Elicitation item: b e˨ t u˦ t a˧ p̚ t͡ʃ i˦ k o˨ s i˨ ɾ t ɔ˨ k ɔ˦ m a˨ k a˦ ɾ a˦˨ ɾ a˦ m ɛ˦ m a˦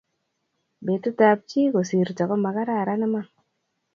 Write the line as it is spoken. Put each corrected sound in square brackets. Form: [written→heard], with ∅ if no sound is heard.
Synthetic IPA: b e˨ t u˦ t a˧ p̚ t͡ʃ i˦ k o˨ s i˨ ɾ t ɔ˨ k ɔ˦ m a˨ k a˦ ɾ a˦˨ ɾ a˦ [m→n] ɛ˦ m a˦